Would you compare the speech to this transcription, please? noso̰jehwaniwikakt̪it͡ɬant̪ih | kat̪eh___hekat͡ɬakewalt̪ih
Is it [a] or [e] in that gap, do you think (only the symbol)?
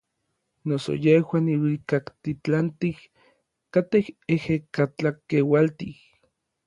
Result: e